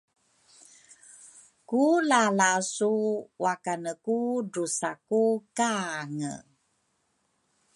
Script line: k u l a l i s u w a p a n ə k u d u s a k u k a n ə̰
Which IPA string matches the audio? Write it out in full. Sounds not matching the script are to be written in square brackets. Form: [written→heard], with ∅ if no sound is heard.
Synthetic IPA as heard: k u l a l [i→a] s u w a [p→k] a n ə k u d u s a k u k a [n→ŋ] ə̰